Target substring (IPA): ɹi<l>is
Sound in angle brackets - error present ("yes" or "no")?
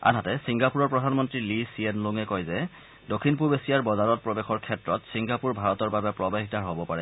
no